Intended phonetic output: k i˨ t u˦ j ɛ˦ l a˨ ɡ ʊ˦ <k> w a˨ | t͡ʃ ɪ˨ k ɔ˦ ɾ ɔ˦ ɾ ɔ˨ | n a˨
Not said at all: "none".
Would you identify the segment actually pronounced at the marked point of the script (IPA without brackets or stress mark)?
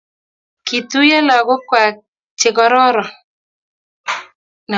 k